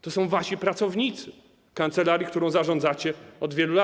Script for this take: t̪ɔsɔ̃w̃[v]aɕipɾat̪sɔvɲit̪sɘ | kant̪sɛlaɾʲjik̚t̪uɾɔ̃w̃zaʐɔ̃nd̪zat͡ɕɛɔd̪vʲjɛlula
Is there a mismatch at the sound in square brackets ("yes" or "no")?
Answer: no